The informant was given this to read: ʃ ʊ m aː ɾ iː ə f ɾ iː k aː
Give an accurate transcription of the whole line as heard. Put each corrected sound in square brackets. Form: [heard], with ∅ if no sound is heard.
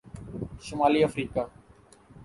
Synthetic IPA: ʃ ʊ m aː [l] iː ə f ɾ iː k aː